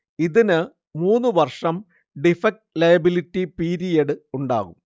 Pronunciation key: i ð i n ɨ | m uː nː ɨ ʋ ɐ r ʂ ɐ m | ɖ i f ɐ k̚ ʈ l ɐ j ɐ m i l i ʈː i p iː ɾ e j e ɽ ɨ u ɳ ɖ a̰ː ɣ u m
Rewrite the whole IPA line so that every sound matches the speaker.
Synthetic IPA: i ð i n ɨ | m uː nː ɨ ʋ ɐ r ʂ ɐ m | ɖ i f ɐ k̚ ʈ l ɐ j ɐ b i l i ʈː i p iː ɾ i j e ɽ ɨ u ɳ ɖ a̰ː ɣ u m